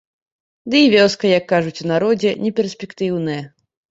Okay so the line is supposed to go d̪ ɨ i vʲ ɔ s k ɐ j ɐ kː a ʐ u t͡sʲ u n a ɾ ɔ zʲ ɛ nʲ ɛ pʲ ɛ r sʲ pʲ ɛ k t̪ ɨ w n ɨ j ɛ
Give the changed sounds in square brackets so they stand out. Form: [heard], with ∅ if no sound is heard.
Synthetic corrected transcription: d̪ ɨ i vʲ ɔ s k ɐ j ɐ kː a ʐ u t͡sʲ u n a ɾ ɔ [d͡zʲ] ɛ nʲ ɛ pʲ ɛ r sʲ pʲ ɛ k t̪ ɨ w n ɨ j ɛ